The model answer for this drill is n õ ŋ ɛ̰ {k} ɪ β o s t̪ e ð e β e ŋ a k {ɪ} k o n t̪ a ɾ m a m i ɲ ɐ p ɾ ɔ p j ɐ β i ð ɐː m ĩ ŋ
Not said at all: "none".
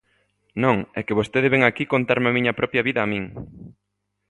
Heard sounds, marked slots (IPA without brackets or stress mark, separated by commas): k, i